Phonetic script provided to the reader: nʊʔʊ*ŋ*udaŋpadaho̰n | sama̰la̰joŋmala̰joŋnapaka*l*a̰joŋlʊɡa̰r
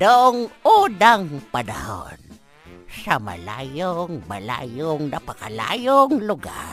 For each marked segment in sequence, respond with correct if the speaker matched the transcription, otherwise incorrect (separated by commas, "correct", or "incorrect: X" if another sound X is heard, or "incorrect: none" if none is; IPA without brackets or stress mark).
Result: correct, correct